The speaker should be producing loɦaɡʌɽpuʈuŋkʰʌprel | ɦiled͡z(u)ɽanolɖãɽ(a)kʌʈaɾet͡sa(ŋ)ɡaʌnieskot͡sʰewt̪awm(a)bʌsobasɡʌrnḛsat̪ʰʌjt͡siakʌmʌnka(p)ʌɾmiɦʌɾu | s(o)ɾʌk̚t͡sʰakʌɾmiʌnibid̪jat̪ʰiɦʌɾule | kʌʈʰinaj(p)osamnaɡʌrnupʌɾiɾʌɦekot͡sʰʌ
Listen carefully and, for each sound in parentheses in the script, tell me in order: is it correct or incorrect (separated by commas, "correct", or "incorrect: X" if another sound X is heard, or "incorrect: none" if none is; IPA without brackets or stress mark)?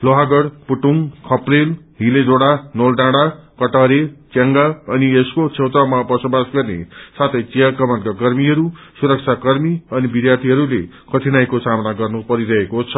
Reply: incorrect: o, correct, correct, correct, incorrect: k, incorrect: u, incorrect: k